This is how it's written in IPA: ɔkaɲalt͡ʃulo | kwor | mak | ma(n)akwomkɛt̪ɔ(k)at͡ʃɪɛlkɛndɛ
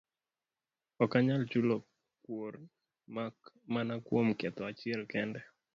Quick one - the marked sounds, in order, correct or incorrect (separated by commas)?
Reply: correct, incorrect